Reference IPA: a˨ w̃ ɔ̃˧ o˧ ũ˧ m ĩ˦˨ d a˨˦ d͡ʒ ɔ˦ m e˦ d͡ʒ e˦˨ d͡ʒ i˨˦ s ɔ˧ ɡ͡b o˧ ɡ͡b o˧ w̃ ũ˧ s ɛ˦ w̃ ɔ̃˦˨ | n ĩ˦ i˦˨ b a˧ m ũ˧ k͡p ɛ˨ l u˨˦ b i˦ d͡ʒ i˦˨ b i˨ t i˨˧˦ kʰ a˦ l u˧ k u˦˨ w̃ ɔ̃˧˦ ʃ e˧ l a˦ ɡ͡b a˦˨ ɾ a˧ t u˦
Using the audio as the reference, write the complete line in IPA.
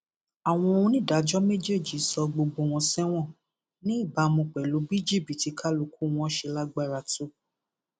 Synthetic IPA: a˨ w̃ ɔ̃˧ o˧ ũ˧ n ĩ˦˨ d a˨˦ d͡ʒ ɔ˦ m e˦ d͡ʒ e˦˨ d͡ʒ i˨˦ s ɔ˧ ɡ͡b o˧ ɡ͡b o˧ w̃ ɔ̃˧ s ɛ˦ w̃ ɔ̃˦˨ | n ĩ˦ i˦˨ b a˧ m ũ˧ k͡p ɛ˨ l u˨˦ b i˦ d͡ʒ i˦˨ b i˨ t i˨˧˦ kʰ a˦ l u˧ k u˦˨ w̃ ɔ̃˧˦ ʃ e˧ l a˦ ɡ͡b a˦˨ ɾ a˧ t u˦